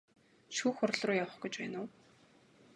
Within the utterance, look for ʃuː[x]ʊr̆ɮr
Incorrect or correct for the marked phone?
correct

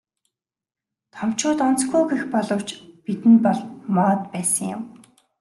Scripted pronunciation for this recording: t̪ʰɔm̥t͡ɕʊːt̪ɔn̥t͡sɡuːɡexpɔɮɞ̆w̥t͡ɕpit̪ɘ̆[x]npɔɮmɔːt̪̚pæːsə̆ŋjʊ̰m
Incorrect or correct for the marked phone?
incorrect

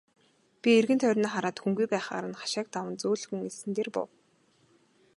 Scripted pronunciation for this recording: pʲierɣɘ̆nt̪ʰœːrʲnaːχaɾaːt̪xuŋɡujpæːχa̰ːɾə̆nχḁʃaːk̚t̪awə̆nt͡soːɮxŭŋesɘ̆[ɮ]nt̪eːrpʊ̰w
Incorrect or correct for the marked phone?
incorrect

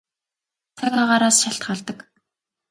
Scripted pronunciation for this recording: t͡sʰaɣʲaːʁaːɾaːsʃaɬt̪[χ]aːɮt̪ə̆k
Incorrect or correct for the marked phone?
correct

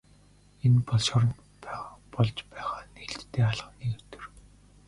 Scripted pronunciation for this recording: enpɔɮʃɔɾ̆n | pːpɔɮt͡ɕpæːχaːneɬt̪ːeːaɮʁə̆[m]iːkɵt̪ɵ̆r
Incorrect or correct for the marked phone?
incorrect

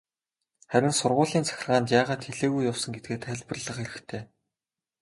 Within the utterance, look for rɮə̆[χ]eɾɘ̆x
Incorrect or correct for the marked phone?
correct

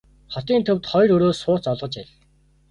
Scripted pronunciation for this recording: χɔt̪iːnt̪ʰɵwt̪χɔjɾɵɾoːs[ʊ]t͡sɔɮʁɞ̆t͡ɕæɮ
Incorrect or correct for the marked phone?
incorrect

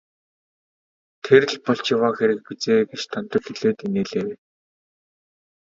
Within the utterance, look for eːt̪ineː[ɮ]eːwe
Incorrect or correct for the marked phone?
correct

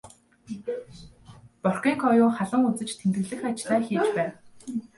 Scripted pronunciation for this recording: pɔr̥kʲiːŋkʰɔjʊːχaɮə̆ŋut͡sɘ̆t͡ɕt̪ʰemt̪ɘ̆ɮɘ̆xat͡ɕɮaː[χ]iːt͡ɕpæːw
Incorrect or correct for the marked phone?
incorrect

